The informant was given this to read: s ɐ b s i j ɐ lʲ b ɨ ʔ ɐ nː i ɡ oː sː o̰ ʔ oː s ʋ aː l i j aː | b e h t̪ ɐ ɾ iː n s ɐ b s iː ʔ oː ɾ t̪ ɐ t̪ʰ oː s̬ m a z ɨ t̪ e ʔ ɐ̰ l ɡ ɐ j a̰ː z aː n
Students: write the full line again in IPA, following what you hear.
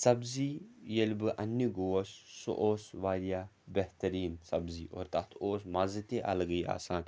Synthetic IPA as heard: s ɐ b z i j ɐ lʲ b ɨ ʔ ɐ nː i ɡ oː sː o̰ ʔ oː s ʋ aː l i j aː | b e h t̪ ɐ ɾ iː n s ɐ b z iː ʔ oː ɾ t̪ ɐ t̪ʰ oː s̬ m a z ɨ t̪ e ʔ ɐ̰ l ɡ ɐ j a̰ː s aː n